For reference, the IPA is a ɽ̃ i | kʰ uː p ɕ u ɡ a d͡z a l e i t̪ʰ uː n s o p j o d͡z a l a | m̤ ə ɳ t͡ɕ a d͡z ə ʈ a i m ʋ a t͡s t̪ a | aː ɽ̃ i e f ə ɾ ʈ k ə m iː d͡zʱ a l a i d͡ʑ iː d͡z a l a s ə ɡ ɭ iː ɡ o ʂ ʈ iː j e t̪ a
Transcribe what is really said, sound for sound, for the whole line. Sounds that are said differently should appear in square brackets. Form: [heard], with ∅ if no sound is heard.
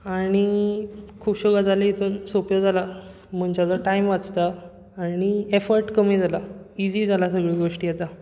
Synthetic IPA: a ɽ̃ i | kʰ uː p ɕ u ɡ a d͡z a l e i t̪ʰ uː n s o p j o d͡z a l a | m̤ ə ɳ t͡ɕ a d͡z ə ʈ a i m ʋ a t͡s t̪ a | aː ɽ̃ i e f ə ɾ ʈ k ə m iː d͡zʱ a l a i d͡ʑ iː d͡z a l a s ə ɡ ɭ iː ɡ o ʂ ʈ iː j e t̪ a